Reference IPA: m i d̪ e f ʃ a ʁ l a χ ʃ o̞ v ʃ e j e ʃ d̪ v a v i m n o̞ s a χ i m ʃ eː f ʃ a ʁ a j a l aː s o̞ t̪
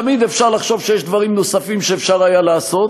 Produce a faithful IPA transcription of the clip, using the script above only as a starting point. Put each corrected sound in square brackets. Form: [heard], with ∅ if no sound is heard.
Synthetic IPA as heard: m i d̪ e f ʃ a ʁ l a χ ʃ o̞ v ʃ e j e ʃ d̪ v a [ʁ] i m n o̞ s a [f] i m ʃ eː f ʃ a ʁ a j a l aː s o̞ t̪